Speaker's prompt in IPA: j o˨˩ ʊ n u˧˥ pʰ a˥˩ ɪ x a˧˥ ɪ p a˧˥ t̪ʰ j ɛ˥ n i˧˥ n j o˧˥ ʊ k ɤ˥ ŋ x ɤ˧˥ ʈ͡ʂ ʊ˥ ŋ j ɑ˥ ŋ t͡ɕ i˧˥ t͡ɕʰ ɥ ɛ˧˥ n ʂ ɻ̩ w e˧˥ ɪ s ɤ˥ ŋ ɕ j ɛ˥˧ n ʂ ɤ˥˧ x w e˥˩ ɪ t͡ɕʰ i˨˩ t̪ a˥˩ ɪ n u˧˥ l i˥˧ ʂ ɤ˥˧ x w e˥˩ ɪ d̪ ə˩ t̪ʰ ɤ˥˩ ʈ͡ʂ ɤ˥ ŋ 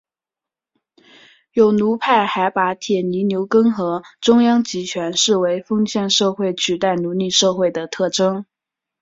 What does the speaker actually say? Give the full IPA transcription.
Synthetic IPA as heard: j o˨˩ ʊ n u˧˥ pʰ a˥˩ ɪ x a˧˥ ɪ p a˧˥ t̪ʰ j ɛ˨˩ n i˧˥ n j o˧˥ ʊ k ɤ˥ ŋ x ɤ˧˥ ʈ͡ʂ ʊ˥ ŋ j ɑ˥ ŋ t͡ɕ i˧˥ t͡ɕʰ ɥ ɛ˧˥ n ʂ ɻ̩ w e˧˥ ɪ f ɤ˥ ŋ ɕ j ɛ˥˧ n ʂ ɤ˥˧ x w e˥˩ ɪ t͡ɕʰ y˨˩ t̪ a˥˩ ɪ n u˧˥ l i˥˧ ʂ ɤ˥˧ x w e˥˩ ɪ d̪ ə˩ t̪ʰ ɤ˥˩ ʈ͡ʂ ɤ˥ ŋ